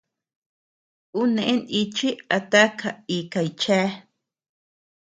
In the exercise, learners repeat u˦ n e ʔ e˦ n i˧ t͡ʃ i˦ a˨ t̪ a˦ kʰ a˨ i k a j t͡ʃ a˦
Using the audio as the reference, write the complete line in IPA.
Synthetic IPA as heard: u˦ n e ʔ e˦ n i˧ t͡ʃ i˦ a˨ t̪ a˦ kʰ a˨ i k a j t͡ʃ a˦

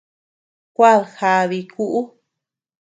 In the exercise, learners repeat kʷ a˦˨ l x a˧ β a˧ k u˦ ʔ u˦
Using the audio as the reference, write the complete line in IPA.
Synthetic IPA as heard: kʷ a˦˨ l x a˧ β i˧ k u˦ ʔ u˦

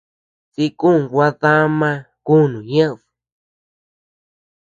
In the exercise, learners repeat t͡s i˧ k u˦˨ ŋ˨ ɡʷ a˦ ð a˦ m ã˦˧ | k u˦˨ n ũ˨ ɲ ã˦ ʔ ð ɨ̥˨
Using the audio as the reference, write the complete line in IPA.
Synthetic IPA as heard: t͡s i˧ k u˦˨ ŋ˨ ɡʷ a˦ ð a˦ m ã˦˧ | k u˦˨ n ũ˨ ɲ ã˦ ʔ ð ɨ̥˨

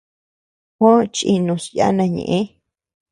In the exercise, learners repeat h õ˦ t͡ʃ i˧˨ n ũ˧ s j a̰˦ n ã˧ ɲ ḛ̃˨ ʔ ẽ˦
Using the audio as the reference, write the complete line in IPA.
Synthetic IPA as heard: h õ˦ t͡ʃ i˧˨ n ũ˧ s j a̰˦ n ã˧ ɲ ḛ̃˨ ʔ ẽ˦

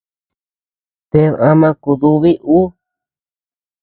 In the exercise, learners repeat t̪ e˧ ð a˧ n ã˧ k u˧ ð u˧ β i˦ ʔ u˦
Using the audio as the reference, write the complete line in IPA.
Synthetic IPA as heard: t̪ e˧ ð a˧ m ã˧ k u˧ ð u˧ β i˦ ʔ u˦

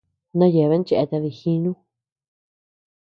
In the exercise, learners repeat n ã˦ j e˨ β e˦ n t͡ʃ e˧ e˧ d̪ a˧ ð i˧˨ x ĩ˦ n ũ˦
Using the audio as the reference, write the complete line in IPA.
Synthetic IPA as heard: n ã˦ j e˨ β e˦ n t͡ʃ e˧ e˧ t̪ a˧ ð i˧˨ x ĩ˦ n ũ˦

